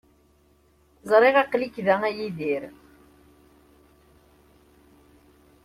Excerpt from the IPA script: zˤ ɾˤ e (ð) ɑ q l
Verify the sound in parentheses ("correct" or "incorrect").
incorrect